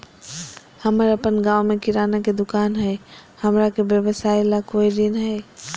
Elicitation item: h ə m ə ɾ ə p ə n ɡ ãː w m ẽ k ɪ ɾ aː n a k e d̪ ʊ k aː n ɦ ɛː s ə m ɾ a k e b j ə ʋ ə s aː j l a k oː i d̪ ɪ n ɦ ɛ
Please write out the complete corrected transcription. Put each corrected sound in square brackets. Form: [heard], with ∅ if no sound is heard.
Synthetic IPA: h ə m ə ɾ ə p ə n ɡ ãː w m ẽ k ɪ ɾ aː n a k e d̪ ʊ k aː n ɦ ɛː [h] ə m ɾ a k e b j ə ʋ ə s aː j l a k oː i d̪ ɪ n ɦ ɛ